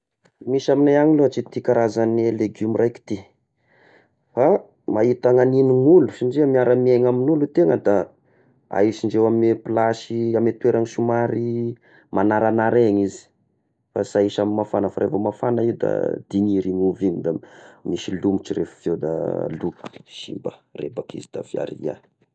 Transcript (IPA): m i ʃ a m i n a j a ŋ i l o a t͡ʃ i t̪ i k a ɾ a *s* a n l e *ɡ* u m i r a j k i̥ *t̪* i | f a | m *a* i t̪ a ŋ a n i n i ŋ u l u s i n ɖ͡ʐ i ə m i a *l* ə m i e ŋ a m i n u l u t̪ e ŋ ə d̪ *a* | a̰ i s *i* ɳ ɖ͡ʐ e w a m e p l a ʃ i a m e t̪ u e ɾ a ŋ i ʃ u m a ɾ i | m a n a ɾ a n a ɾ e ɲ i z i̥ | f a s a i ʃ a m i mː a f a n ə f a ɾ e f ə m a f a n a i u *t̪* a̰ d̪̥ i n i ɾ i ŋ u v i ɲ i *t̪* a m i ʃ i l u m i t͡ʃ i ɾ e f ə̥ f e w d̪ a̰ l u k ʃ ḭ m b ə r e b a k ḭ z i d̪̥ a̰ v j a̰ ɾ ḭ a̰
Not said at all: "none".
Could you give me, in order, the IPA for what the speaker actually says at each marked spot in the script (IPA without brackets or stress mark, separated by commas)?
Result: z, ɡ, t̪, a, ɾ, a, i, d̪, d̪